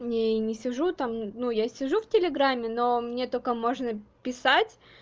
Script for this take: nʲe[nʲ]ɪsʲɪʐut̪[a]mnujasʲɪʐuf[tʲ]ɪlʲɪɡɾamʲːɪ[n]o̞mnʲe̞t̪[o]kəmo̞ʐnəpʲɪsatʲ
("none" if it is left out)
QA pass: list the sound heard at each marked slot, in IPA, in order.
nʲ, a, tʲ, n, o

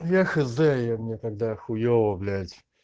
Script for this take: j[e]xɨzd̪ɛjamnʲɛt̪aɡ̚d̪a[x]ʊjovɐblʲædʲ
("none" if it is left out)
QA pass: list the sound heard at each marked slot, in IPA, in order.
a, x

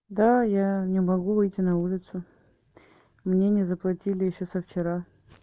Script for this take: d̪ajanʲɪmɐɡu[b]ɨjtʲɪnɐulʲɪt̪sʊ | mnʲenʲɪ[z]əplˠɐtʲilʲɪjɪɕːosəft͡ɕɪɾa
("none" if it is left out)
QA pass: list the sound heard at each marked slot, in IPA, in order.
v, z

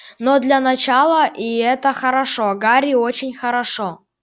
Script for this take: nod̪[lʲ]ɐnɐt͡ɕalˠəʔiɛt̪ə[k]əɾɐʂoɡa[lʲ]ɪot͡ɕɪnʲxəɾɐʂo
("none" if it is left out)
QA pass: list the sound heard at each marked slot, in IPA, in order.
lʲ, x, ɾʲ

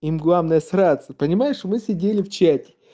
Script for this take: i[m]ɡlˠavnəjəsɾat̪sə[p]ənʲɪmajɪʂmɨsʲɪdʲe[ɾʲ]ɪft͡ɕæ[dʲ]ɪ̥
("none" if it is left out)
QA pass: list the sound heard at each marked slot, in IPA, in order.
m, p, lʲ, tʲ

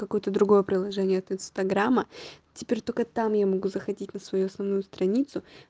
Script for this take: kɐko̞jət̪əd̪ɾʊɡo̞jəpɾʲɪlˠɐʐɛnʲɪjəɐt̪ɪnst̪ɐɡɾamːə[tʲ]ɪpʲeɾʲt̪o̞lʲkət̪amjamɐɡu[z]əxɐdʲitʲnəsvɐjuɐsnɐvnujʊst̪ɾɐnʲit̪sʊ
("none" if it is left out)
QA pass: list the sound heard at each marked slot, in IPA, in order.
tʲ, z

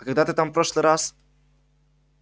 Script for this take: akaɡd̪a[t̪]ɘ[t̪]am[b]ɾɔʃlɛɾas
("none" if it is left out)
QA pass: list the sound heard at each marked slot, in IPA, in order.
t̪, t̪, p

